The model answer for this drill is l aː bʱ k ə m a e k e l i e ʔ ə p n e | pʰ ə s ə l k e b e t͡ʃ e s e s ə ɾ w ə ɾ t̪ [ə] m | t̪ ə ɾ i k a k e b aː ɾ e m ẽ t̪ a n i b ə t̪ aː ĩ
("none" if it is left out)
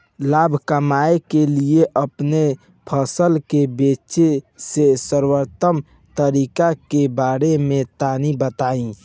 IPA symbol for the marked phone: ə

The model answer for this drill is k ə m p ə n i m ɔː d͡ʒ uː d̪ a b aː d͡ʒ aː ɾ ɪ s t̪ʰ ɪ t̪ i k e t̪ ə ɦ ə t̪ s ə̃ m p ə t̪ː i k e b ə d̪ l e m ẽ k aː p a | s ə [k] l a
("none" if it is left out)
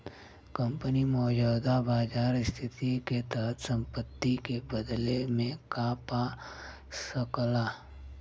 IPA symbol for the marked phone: k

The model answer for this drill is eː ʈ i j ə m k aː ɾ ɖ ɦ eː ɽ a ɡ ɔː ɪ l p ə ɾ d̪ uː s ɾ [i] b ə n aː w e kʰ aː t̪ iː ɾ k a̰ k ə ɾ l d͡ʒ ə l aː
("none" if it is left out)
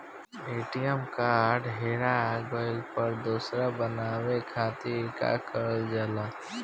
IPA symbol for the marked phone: a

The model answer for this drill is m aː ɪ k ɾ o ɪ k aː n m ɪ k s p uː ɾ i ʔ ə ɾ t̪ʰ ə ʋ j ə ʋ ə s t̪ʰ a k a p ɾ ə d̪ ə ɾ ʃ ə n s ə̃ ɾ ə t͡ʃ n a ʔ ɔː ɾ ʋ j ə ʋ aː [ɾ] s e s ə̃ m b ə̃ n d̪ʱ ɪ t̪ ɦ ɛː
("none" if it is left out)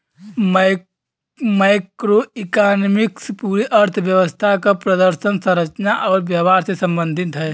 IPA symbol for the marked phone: ɾ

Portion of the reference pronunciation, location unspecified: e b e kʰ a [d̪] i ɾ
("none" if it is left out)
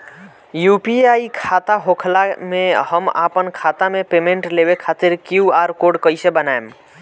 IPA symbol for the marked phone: t̪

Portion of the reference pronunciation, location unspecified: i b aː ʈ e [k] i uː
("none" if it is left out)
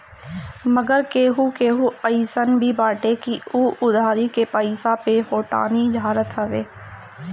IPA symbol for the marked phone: k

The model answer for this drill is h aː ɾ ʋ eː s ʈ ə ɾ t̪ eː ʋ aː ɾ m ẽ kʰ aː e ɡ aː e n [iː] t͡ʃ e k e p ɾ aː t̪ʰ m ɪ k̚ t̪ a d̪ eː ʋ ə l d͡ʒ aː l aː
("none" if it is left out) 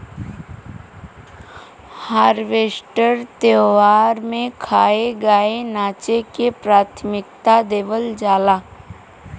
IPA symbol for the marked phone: aː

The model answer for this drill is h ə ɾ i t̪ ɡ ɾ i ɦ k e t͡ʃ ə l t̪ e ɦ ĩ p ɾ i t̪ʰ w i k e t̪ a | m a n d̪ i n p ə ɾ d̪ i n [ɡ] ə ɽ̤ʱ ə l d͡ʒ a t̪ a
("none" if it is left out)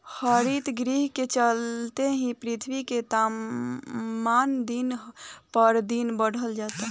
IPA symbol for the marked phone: b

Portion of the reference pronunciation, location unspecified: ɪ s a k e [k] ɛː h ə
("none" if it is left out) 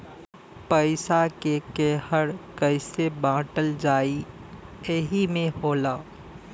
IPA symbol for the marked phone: k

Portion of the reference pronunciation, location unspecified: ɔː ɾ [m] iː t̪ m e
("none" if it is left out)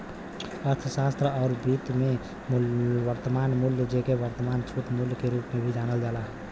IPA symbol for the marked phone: b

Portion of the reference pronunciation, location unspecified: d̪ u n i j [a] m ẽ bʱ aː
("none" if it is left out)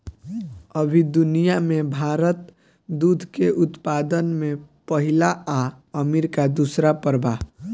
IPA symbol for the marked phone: a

